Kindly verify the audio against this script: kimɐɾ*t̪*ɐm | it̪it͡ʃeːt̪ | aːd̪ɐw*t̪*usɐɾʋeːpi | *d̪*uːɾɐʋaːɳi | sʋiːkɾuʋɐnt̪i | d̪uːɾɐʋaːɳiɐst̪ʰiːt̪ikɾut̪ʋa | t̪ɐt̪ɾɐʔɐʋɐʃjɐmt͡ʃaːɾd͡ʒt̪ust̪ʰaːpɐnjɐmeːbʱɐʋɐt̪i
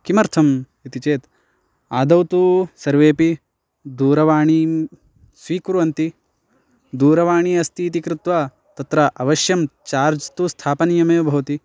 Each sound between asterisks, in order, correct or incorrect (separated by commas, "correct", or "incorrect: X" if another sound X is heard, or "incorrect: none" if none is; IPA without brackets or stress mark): incorrect: t̪ʰ, correct, correct